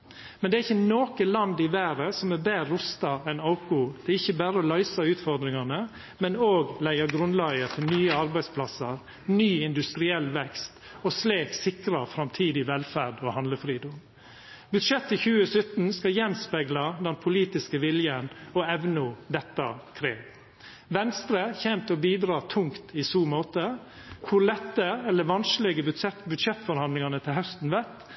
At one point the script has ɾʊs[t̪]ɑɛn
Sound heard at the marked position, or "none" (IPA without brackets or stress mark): t̪